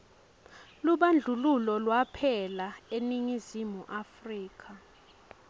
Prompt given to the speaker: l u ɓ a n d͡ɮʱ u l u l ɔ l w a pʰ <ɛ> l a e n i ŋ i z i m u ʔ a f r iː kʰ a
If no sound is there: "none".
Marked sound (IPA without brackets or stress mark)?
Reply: ɛ